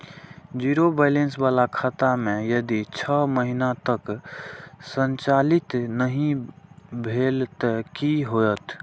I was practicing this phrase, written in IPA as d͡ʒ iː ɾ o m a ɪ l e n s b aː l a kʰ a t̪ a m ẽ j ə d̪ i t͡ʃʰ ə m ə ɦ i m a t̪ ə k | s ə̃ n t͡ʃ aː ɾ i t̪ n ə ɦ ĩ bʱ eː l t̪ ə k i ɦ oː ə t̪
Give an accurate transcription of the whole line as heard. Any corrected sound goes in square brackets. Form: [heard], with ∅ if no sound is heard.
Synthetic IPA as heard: d͡ʒ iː ɾ o [b] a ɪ l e n s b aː l a kʰ a t̪ a m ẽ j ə d̪ i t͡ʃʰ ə m ə ɦ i [n] a t̪ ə k | s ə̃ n t͡ʃ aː [l] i t̪ n ə ɦ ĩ bʱ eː l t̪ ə k i ɦ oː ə t̪